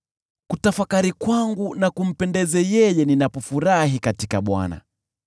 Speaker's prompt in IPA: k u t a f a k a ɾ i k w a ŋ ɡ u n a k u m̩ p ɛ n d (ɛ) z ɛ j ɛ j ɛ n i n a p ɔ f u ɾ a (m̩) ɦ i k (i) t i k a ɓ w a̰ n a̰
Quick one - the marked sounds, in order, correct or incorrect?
correct, incorrect: none, incorrect: a

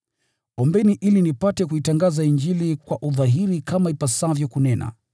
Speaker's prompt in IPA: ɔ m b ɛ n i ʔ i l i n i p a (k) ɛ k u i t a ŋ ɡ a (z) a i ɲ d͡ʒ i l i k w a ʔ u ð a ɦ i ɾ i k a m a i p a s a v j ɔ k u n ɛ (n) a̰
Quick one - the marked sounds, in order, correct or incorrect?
incorrect: t, correct, correct

